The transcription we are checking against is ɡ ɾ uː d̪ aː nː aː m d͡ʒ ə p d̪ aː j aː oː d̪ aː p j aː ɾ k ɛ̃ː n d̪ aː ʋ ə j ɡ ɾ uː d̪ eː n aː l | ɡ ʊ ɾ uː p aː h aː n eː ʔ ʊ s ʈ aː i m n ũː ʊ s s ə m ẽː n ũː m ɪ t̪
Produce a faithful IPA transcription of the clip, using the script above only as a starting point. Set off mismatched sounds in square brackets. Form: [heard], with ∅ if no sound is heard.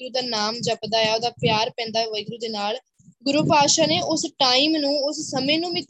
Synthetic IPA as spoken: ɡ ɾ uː d̪ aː [n] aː m d͡ʒ ə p d̪ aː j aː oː d̪ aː p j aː ɾ [p] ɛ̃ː n d̪ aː ʋ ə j ɡ ɾ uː d̪ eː n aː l | ɡ ʊ ɾ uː p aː [ʃ] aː n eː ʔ ʊ s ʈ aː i m n ũː ʊ s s ə m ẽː n ũː m ɪ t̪